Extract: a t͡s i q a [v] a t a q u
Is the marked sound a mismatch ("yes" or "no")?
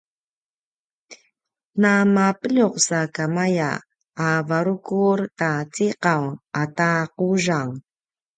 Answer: yes